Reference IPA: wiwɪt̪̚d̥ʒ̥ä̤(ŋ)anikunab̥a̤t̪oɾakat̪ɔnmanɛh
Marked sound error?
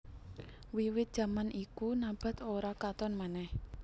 yes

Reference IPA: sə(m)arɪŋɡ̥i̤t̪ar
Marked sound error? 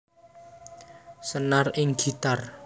yes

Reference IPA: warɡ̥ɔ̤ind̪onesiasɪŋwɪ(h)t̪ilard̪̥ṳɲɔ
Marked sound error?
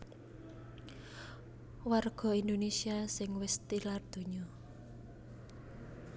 yes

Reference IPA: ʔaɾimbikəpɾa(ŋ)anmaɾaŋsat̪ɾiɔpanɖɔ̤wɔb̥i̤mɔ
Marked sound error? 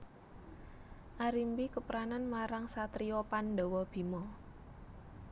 yes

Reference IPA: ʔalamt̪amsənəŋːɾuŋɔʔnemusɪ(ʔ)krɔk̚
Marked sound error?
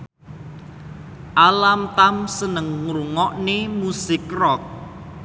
yes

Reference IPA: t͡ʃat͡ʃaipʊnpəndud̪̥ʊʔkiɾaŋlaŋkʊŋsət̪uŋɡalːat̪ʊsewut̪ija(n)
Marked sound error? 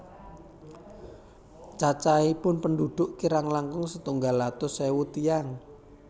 yes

